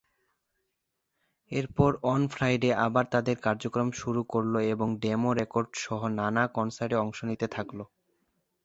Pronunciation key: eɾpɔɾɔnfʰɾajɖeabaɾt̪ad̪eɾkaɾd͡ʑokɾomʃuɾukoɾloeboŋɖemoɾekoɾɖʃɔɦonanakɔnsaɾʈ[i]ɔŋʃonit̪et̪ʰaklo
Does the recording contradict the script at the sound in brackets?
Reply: yes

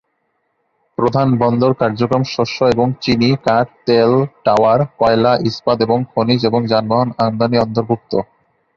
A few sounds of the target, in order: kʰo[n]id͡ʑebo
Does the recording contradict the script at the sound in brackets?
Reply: no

